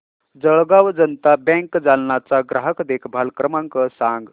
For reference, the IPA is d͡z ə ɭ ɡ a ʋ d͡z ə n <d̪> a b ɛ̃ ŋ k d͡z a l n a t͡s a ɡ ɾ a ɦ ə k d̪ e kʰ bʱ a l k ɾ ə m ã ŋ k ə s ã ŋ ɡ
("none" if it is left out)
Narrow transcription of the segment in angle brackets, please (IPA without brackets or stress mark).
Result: t̪